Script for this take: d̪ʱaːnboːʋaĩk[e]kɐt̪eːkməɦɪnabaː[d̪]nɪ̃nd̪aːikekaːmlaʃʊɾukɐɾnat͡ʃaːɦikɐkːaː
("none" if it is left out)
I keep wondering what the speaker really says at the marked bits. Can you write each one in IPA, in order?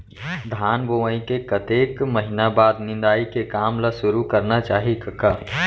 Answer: e, d̪

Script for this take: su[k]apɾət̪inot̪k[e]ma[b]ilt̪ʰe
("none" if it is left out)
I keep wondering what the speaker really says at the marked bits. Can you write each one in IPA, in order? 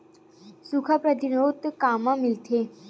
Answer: kʰ, a, m

